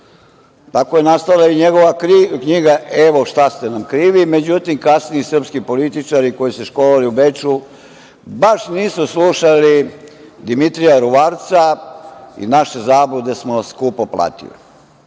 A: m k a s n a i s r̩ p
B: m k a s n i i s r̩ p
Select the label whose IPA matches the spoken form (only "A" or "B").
B